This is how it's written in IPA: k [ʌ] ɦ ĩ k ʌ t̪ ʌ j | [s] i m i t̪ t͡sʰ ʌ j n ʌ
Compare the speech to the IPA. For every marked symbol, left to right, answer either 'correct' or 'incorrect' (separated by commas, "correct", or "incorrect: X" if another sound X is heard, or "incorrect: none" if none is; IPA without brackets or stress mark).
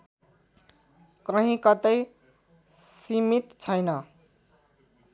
correct, correct